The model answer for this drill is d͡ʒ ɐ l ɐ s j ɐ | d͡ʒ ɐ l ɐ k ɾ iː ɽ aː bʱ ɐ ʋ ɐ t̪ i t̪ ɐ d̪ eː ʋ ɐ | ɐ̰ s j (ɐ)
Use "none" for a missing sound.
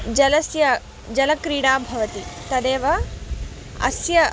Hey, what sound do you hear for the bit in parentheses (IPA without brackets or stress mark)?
ɐ